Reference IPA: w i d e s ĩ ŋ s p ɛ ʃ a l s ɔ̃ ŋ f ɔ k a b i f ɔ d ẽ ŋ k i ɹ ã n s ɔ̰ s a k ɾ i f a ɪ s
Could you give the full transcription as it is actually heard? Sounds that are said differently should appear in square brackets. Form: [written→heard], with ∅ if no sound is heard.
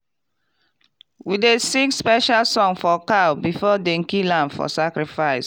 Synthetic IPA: w i d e s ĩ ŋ s p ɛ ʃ a l s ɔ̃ ŋ f ɔ k a b i f ɔ d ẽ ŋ k i [ɹ→l] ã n [s→f] ɔ̰ s a k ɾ i f a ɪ s